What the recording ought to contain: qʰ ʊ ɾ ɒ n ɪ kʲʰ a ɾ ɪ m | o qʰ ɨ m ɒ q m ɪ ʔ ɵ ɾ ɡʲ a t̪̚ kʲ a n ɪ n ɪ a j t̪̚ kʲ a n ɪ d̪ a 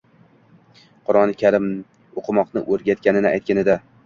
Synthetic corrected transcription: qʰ ʊ ɾ ɒ n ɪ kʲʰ a ɾ ɪ m | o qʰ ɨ m ɒ q n ɪ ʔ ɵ ɾ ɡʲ a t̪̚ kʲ a n ɪ n ɪ a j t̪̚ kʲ a n ɪ d̪ a